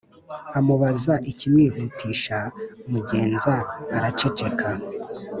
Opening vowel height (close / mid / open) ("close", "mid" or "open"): open